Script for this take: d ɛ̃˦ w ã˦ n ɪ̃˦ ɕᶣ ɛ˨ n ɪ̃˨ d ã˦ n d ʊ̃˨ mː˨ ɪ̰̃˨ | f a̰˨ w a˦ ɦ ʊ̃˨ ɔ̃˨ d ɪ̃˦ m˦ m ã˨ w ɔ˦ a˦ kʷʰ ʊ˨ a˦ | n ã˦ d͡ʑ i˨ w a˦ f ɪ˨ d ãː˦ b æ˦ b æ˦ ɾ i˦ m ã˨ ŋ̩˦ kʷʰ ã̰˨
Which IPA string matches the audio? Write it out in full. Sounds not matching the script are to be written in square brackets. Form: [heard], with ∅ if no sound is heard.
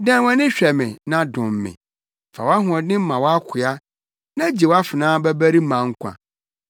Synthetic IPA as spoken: d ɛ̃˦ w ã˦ n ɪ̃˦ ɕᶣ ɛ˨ [m] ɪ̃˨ [n] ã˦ [∅] d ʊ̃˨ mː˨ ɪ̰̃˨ | f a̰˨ w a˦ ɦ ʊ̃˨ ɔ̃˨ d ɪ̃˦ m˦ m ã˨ w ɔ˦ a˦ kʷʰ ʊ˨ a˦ | n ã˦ d͡ʑ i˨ w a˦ f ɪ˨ [n] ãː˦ b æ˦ b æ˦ ɾ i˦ m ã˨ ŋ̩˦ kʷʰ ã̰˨

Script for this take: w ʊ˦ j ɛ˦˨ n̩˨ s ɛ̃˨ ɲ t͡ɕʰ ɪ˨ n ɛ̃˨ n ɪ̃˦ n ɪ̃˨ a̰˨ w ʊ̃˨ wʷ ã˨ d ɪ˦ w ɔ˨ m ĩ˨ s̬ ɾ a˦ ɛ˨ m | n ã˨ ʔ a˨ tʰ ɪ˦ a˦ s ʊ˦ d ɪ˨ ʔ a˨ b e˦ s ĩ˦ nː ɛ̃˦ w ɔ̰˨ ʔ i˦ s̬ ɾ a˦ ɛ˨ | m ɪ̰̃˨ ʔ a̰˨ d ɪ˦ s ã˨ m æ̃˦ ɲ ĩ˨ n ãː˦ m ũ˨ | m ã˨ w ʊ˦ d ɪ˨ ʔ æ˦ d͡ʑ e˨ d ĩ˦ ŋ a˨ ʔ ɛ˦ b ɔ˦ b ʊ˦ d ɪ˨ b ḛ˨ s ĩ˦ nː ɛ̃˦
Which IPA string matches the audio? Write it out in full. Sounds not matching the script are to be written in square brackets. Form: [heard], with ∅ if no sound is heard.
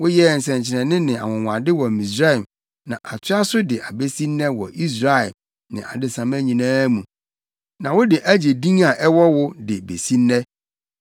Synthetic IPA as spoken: w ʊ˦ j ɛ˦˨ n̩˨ s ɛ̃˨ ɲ t͡ɕʰ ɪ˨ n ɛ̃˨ n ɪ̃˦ n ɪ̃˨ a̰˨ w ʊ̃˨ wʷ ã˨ d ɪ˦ w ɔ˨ m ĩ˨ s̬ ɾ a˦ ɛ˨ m | n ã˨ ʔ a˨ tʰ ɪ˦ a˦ s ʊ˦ d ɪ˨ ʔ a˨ b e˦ s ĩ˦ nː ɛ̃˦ w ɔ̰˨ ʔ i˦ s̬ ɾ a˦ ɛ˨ | [n] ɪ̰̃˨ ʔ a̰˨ d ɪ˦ s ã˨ m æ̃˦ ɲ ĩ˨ n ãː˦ m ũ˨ | [n] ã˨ w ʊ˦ d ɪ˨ ʔ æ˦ d͡ʑ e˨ d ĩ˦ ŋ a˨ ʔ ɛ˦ [w] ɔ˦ [w] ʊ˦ d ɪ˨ b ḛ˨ s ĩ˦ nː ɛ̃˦

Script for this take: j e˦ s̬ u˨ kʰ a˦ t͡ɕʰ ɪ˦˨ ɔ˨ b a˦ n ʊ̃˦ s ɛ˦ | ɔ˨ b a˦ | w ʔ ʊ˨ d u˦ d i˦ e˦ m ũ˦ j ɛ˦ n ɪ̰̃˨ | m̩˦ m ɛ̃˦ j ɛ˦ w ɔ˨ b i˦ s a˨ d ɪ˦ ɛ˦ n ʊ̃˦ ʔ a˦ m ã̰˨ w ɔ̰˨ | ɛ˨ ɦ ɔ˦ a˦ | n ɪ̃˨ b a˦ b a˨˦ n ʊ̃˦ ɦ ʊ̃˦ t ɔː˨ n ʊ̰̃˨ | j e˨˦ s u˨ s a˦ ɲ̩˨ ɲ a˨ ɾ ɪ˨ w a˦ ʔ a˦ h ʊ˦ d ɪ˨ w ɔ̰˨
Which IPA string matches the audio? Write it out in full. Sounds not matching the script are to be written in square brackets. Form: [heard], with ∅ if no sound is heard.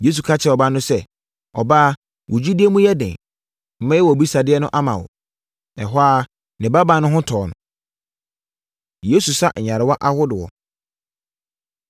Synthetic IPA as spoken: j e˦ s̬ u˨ kʰ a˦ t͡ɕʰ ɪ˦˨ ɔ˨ b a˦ n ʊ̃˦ s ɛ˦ | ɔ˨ b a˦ | w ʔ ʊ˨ [d͡ʑ] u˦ d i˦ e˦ m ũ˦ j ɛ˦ [d] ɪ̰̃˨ | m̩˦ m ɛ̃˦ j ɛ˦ w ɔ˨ b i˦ s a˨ d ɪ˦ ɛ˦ n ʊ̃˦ ʔ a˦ m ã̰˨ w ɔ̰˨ | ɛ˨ ɦ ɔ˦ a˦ | n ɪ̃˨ b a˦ b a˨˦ n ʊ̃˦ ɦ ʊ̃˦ [tʰ] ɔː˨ n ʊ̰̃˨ | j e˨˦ s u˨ s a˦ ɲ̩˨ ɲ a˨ ɾ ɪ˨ w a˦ ʔ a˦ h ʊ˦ d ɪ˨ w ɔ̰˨

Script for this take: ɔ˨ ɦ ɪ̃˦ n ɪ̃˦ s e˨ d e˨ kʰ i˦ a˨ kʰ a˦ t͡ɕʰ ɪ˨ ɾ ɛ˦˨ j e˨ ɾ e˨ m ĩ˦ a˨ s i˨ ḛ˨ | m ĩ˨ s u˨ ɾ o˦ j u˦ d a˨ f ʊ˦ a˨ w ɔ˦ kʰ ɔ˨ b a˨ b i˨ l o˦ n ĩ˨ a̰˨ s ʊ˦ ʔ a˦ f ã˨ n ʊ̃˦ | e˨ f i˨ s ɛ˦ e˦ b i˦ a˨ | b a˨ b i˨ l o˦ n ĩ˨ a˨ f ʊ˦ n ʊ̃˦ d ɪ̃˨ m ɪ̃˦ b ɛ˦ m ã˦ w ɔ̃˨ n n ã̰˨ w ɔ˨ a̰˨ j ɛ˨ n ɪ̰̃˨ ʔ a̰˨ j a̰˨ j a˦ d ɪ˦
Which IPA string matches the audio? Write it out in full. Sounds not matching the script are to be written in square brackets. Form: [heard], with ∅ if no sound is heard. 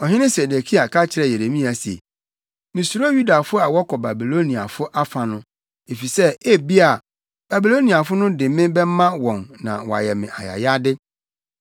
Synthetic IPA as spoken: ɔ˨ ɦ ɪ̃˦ n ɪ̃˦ s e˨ d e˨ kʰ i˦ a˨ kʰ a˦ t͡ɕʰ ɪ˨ ɾ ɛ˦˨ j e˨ ɾ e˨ m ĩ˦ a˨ s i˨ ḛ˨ | m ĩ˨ s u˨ ɾ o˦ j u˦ d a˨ f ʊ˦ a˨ w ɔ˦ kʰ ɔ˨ b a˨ b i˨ l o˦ n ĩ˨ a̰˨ [f] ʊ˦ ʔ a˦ f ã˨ n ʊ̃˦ | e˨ f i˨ s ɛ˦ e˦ b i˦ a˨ | b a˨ b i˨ l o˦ n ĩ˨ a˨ f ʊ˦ n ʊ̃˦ d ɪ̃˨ m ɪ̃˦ b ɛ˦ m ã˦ w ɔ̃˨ n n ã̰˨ w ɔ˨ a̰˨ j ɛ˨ [m] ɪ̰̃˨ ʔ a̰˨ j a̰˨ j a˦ d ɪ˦

